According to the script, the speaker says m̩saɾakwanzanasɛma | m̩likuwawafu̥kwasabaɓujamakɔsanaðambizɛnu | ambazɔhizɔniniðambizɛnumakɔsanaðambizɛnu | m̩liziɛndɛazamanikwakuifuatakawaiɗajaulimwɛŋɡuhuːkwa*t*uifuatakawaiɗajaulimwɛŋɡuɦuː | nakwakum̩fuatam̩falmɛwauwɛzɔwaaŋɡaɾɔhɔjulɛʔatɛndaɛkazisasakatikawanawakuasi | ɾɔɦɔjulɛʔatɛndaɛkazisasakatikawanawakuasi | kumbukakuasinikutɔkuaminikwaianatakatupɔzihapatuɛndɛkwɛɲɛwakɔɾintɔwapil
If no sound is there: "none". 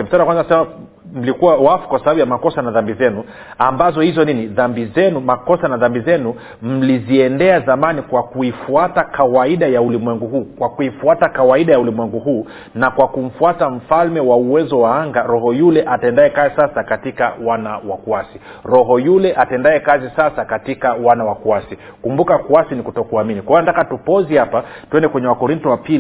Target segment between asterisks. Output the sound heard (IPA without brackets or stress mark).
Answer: k